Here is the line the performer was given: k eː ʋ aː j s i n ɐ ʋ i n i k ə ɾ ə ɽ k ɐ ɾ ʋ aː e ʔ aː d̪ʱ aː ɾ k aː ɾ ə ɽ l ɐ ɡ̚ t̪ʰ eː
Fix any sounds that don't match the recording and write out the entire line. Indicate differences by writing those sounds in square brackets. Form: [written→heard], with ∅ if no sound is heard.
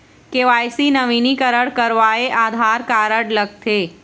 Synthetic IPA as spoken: k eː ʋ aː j s i n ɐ ʋ i n i k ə ɾ ə ɽ k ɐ ɾ ʋ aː e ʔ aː d̪ʱ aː ɾ k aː ɾ ə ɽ l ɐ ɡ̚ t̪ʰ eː